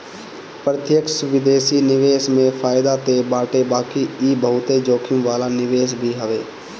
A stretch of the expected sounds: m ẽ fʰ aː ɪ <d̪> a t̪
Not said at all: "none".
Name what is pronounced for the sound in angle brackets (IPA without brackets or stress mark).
d̪